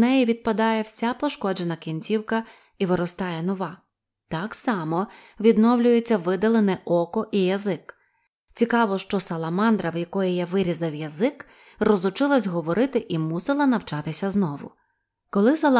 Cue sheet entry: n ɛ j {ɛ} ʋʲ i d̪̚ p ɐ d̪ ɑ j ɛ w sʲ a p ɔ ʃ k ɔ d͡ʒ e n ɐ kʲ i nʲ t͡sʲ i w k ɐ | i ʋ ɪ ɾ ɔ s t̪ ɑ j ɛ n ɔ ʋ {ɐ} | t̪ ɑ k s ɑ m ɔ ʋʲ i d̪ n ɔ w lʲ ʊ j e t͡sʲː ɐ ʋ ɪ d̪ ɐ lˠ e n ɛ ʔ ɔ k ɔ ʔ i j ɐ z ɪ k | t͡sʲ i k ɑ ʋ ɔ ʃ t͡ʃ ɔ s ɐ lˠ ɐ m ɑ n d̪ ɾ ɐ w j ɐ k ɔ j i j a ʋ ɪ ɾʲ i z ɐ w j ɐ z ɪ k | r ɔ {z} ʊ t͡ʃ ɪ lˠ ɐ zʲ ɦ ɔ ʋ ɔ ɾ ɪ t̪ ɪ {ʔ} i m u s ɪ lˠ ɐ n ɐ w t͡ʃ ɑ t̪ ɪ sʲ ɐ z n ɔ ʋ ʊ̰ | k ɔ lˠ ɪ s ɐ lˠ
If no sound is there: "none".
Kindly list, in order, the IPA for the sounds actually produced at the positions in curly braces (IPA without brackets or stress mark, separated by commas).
i, ɑ, z, ʔ